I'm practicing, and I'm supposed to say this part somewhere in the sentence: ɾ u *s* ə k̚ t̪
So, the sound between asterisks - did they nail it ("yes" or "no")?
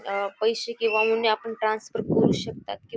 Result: no